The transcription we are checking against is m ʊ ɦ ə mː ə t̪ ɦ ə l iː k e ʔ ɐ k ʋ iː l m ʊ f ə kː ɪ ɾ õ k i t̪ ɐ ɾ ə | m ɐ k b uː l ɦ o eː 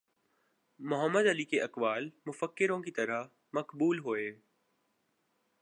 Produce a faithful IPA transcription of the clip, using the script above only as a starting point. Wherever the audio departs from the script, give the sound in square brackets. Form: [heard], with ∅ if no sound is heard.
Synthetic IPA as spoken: m ʊ ɦ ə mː ə [d̪] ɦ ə l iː k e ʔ ɐ k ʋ [aː] l m ʊ f ə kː ɪ ɾ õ k i t̪ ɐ ɾ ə | m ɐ k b uː l ɦ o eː

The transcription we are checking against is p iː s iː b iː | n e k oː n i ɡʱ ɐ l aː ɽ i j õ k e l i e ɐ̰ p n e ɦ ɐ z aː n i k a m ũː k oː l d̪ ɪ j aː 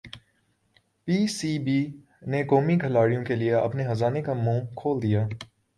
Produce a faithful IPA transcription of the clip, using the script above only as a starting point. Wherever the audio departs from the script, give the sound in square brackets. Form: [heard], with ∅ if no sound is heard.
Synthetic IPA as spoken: p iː s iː b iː | n e k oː [m] i ɡʱ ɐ l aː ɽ i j õ k e l i e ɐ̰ p n e ɦ ɐ z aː n [e] k a m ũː [kʰ] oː l d̪ [i] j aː

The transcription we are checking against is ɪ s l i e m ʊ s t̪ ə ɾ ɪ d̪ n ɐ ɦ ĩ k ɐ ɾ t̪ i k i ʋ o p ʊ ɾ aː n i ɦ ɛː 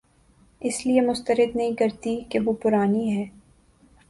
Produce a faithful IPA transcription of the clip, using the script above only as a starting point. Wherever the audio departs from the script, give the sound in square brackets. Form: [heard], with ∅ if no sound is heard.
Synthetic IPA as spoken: ɪ s l i e m ʊ s t̪ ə ɾ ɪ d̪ n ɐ ɦ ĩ k ɐ ɾ t̪ i k [e] ʋ o p ʊ ɾ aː n i ɦ ɛː

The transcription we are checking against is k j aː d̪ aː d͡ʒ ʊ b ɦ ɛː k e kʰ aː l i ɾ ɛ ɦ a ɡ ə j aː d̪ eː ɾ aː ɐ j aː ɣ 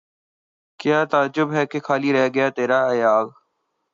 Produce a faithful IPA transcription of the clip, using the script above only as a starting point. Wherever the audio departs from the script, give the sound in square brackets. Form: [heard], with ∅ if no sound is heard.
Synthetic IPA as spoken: k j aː [t̪] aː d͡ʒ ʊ b ɦ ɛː k e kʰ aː l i ɾ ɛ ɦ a ɡ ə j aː [t̪] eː ɾ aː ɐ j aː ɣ

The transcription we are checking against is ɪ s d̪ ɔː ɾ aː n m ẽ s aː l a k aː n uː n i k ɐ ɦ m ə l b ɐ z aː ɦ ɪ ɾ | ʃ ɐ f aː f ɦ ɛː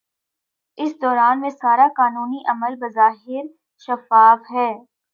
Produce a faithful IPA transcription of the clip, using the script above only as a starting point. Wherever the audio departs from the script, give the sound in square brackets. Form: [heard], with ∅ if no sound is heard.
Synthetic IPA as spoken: ɪ s d̪ ɔː ɾ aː n m ẽ s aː [ɾ] a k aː n uː n i [ʔ] ɐ [∅] m ə l b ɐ z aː ɦ ɪ ɾ | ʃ ɐ f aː f ɦ ɛː

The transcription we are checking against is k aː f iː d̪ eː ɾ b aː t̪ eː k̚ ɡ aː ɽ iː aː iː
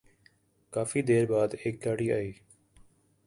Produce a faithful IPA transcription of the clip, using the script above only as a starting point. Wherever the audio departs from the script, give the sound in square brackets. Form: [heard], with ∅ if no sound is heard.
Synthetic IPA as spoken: k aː f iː d̪ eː ɾ b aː [d̪] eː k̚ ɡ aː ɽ iː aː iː

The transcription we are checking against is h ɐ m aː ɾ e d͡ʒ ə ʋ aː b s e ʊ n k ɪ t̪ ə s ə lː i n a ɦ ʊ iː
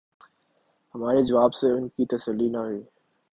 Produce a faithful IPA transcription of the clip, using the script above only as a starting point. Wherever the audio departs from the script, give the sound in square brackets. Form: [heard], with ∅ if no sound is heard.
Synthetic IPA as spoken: h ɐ m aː ɾ e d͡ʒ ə ʋ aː b s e ʊ n k [i] t̪ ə s ə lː i n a ɦ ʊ iː

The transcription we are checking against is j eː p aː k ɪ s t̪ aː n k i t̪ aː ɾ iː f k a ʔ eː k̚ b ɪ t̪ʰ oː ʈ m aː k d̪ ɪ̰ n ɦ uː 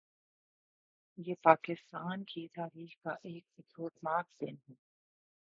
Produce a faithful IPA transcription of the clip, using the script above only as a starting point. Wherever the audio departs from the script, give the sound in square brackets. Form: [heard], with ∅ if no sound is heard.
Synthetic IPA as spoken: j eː p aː k ɪ s t̪ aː n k i t̪ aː ɾ iː [x] k a ʔ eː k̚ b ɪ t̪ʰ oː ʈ m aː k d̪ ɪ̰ n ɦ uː

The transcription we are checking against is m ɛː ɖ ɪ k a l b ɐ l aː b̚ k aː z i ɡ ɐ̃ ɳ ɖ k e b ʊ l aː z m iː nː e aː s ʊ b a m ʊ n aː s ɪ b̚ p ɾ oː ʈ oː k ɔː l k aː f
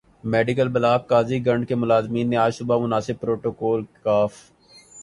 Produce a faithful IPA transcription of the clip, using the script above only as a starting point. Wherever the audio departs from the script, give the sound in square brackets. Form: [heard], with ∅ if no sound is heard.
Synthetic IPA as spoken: m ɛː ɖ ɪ k [ə] l b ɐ l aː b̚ k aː z i ɡ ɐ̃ ɳ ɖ k e [m] ʊ l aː z m iː nː e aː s ʊ b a m ʊ n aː s ɪ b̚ p ɾ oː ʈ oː k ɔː l k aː f

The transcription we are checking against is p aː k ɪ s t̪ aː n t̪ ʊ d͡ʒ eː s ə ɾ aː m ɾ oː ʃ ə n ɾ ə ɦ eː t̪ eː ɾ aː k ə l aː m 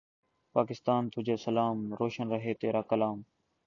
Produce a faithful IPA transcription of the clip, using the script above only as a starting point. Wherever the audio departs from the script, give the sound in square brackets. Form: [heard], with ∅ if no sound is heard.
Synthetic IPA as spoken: p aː k ɪ s t̪ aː n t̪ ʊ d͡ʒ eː s ə [l] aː m ɾ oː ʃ ə n ɾ ə ɦ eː t̪ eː ɾ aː k ə l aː m

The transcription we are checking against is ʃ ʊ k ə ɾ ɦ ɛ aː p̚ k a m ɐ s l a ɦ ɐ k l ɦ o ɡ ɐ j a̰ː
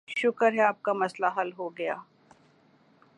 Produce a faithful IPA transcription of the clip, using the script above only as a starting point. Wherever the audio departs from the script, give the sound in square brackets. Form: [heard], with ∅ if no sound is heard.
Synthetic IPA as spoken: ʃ ʊ k ə ɾ ɦ ɛ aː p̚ k a m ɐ s l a ɦ ɐ [∅] l ɦ o ɡ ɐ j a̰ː

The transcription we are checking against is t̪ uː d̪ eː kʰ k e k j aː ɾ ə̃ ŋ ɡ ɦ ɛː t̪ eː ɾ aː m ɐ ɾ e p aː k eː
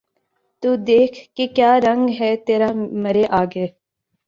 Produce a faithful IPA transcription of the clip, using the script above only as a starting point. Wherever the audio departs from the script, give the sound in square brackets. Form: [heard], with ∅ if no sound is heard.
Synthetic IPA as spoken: t̪ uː d̪ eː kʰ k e k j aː ɾ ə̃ ŋ ɡ ɦ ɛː t̪ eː ɾ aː m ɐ ɾ e [ʔ] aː [ɡ] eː

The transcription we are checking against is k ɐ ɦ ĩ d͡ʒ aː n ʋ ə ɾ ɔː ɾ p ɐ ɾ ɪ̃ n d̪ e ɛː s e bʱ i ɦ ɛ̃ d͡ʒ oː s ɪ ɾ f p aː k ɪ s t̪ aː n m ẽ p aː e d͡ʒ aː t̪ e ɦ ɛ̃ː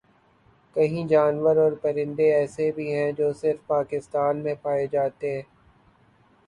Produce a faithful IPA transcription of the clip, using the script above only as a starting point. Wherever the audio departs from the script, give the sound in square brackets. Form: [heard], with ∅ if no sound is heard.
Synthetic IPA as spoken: k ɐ ɦ ĩ d͡ʒ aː n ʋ ə ɾ ɔː ɾ p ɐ ɾ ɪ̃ n d̪ e ɛː s e bʱ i ɦ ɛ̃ d͡ʒ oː s ɪ ɾ f p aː k ɪ s t̪ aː n m ẽ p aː e d͡ʒ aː t̪ e ɦ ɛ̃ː

